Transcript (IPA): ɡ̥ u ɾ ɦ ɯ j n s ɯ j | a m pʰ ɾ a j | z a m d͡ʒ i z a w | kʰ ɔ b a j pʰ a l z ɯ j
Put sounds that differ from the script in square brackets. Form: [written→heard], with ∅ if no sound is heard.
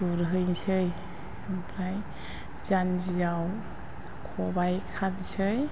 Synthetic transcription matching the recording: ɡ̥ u ɾ ɦ ɯ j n s ɯ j | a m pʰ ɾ a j | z a [m→n] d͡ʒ i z a w | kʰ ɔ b a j [pʰ→kʰ] a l [z→s] ɯ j